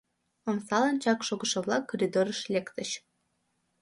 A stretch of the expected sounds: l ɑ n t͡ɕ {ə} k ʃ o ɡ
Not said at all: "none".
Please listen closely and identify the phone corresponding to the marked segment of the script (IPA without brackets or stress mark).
ɑ